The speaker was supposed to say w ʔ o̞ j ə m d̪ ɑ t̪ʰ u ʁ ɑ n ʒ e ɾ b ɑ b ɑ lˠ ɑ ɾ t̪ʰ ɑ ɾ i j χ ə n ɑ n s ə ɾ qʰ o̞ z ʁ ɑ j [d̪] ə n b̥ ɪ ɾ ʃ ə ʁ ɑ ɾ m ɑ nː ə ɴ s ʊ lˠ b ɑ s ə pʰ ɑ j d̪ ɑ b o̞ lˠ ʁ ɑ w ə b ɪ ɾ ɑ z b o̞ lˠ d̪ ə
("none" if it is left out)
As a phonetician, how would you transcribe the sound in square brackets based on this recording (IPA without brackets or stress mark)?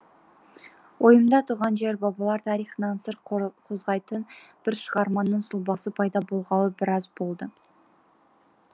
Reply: t̪